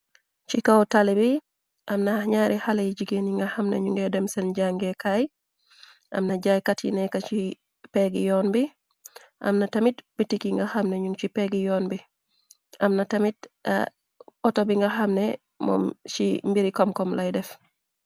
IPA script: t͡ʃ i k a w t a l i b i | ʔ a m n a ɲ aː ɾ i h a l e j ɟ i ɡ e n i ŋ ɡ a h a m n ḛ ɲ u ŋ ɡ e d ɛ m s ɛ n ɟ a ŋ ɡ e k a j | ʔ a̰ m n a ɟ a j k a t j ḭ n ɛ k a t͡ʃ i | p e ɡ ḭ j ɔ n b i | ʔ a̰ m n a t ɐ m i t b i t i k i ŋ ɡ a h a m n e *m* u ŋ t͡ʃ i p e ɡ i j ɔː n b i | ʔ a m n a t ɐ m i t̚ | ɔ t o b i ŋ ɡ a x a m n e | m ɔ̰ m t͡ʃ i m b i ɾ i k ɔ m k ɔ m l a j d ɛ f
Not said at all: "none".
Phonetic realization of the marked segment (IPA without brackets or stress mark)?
ɲ